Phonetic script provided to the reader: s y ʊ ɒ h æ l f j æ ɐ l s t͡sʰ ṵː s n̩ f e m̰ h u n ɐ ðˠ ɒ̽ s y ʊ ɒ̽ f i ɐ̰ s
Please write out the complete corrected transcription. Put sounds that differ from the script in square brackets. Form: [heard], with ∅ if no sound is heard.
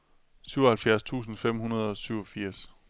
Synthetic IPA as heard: s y ʊ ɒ h æ l f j æ ɐ [∅] s t͡sʰ ṵː s n̩ f e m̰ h u n ɐ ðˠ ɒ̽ s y ʊ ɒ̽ f i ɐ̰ s